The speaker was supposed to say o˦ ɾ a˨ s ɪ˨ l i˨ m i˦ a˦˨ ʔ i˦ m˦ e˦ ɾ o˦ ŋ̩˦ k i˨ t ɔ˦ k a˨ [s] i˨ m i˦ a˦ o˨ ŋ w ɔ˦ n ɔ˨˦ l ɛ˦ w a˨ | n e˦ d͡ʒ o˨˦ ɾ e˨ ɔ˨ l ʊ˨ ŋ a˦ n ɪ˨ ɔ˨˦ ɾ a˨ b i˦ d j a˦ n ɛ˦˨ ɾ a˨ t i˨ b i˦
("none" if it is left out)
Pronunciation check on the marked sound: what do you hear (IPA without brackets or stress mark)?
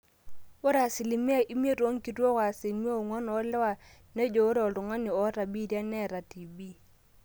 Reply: s